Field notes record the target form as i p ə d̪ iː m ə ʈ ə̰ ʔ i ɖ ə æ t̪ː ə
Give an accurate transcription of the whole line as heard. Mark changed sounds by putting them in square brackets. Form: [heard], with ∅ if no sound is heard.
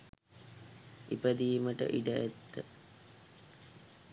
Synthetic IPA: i p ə d̪ iː m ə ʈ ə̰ ʔ i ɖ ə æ t̪ː ə